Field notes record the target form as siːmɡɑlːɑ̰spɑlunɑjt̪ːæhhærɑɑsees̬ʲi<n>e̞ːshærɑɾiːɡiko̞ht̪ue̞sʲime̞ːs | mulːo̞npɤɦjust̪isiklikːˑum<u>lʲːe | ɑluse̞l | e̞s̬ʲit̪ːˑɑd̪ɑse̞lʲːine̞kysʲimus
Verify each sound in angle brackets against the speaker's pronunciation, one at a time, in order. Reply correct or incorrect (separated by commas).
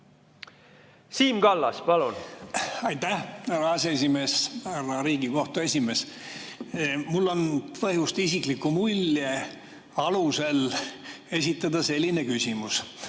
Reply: incorrect, correct